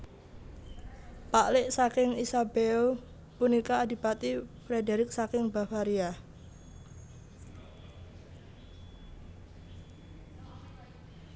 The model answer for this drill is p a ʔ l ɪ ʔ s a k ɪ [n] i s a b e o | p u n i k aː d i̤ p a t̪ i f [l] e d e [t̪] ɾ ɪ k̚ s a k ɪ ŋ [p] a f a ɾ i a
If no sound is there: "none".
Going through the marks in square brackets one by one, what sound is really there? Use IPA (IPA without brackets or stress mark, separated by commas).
ŋ, ɾ, none, b